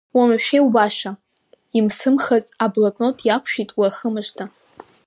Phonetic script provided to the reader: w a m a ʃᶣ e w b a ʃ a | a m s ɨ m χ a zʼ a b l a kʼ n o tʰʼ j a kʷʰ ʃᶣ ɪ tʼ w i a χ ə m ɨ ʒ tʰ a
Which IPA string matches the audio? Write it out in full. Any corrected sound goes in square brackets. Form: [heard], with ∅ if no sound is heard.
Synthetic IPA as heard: w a m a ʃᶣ e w b a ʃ a | [i] m s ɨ m χ a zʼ a b l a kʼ n o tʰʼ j a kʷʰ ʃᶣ [i] tʼ w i a χ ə m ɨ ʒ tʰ a